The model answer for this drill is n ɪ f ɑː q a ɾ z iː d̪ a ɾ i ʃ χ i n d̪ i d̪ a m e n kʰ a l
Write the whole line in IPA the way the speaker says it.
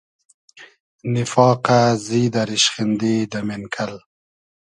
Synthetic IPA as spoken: n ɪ f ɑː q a z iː d̪ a ɾ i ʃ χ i n d̪ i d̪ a m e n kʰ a l

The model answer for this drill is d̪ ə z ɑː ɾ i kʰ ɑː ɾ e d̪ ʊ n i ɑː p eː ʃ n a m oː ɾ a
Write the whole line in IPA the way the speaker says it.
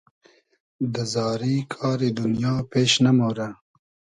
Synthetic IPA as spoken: d̪ ə z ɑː ɾ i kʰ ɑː ɾ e d̪ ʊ n j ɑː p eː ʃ n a m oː ɾ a

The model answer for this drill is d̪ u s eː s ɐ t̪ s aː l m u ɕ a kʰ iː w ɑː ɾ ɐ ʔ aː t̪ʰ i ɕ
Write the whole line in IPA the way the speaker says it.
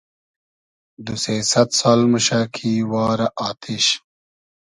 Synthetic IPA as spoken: d̪ u s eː s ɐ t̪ s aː l m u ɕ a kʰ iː w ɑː ɾ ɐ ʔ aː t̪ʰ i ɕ

